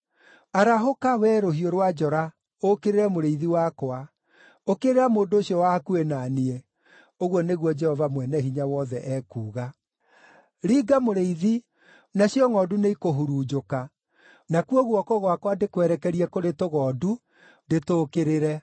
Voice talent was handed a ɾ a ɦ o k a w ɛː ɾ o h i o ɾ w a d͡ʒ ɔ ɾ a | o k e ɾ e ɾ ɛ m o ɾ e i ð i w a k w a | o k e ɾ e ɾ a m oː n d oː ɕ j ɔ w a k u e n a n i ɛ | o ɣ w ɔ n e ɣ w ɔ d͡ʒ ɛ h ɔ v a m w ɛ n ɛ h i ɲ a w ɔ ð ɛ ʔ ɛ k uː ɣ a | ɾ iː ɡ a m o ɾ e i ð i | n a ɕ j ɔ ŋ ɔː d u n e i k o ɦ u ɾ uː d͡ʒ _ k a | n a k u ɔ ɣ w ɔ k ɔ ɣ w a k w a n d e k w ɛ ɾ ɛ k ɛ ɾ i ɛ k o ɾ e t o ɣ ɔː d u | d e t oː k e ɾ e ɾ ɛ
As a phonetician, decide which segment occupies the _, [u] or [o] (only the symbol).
o